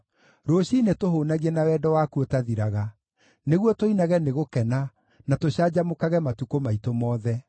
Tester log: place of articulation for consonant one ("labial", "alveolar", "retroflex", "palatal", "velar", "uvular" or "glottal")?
alveolar